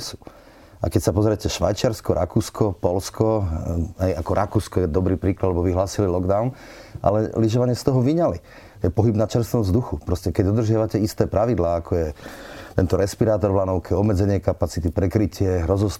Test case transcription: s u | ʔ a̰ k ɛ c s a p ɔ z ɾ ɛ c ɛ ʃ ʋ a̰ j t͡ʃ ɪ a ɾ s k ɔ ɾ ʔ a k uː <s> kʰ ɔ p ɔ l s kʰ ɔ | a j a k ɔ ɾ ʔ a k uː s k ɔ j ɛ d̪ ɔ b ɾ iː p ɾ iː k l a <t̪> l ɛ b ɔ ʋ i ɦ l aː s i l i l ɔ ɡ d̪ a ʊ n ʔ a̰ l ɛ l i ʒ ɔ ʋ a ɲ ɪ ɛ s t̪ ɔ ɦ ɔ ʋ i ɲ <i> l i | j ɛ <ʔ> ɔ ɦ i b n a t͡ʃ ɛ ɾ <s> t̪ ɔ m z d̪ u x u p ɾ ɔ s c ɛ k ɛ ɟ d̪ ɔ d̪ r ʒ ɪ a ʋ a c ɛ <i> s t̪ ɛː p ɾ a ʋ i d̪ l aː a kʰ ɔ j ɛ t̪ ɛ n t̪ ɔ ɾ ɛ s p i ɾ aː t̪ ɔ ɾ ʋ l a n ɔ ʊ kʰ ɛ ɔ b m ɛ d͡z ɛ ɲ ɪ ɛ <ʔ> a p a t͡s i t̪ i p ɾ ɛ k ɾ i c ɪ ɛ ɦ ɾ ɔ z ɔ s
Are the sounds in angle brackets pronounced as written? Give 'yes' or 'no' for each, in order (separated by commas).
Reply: yes, no, no, no, yes, yes, no